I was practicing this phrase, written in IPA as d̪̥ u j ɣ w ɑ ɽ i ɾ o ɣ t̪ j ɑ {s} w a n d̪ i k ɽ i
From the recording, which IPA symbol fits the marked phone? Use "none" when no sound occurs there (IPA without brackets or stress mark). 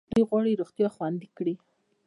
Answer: x